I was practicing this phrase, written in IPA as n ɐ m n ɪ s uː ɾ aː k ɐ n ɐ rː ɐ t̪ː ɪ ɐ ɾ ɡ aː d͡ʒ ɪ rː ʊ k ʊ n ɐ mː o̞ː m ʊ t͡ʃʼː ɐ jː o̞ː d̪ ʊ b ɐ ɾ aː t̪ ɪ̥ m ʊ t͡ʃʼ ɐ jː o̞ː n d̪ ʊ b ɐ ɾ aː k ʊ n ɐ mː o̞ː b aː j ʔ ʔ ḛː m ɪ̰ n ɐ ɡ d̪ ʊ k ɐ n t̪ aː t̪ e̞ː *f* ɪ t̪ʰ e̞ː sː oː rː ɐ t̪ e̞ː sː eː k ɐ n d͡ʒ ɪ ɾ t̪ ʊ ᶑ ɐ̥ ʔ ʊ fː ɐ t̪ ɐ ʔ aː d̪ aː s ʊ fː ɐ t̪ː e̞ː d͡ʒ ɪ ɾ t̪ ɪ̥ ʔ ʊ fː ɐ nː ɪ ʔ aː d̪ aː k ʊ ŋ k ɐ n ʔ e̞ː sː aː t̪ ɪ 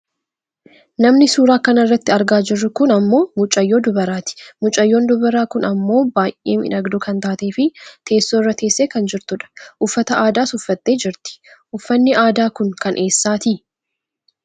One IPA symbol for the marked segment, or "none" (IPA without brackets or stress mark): f